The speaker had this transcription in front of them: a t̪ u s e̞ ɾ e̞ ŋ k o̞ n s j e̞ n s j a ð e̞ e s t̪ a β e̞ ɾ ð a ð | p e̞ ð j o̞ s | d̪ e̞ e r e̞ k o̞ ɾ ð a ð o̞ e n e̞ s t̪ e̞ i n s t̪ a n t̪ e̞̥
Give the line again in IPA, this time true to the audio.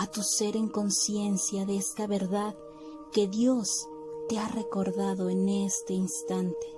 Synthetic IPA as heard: a t̪ u s e̞ ɾ e̞ ŋ k o̞ n s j e̞ n s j a ð e̞ e s t̪ a β e̞ ɾ ð a ð | k e̞ ð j o̞ s | t̪ e̞ a r e̞ k o̞ ɾ ð a ð o̞ e n e̞ s t̪ e̞ i n s t̪ a n t̪ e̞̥